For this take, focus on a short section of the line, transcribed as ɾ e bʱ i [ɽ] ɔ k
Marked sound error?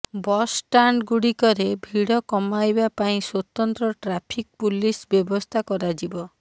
no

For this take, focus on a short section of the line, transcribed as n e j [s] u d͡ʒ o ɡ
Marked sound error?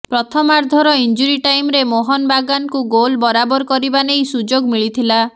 no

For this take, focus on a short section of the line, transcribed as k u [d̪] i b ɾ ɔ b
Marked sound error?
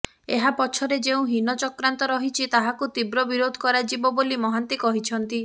yes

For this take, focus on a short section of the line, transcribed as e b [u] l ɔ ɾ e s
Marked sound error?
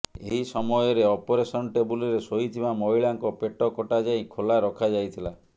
no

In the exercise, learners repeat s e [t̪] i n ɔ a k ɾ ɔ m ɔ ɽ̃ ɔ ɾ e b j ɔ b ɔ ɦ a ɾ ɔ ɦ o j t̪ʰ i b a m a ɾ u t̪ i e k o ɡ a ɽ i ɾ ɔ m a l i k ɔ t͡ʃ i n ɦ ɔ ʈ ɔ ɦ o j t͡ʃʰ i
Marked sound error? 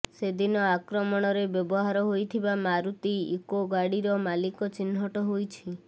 yes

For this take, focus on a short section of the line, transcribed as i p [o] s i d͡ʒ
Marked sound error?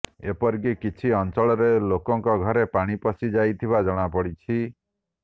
yes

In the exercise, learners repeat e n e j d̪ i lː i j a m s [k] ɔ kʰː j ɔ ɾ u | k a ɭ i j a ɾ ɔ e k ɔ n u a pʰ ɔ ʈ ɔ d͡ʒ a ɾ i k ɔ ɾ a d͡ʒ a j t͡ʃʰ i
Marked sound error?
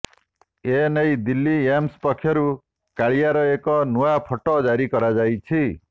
yes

